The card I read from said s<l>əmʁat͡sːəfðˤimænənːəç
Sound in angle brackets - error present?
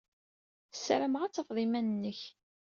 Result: yes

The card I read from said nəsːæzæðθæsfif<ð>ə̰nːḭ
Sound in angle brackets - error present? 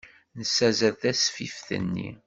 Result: yes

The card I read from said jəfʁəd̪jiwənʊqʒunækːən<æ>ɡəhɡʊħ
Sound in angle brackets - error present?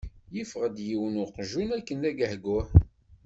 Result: no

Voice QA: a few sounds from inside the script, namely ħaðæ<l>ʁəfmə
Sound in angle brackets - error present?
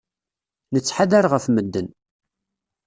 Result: yes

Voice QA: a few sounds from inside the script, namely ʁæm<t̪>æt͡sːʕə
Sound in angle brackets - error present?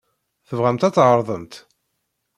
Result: no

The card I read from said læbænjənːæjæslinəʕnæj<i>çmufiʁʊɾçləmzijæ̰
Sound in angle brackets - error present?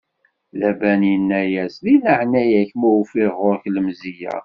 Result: yes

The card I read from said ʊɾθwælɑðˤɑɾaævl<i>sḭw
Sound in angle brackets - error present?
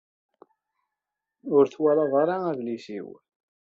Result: no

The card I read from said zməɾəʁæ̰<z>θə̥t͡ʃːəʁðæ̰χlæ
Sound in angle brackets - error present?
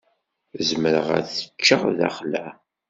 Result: yes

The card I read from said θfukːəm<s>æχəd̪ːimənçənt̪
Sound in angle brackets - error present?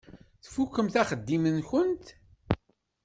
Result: yes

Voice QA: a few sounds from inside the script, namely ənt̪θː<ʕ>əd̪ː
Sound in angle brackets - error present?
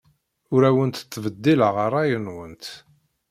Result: yes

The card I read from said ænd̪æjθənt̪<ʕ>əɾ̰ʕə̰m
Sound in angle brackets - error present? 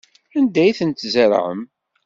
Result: yes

